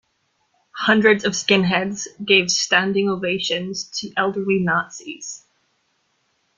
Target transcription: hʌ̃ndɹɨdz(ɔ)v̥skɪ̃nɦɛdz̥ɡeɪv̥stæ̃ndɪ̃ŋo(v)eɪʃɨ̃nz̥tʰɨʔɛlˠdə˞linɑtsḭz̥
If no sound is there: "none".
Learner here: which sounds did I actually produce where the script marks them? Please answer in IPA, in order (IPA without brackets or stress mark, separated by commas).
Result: ʌ, v